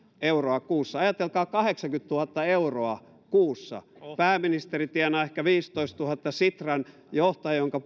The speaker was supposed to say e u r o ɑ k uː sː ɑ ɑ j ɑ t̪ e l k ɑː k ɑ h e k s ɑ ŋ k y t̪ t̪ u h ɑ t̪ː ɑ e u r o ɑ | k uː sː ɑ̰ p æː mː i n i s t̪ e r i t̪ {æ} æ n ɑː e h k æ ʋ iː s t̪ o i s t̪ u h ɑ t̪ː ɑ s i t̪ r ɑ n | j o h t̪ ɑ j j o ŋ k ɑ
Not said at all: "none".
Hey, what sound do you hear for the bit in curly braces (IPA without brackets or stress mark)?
i